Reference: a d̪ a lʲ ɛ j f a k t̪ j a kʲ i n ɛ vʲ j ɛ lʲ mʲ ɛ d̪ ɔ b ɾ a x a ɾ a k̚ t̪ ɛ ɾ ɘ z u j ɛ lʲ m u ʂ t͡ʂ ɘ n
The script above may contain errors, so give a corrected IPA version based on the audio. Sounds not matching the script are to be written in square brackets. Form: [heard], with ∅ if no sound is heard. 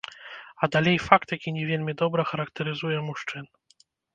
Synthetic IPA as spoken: a d̪ a lʲ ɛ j f a k t̪ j a kʲ i [ɲ] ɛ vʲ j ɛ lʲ mʲ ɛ d̪ ɔ b ɾ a x a ɾ a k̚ t̪ ɛ ɾ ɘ z u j ɛ [∅] m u ʂ t͡ʂ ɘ n